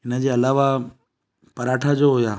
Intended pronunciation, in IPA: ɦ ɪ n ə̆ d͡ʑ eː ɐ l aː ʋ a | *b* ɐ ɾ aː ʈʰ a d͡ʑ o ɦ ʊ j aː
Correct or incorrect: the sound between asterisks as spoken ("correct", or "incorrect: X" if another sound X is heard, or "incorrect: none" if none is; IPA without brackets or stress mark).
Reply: incorrect: p